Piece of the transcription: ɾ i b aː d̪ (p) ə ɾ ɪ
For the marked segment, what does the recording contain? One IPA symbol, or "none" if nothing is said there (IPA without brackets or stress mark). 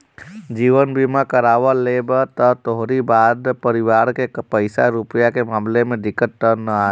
p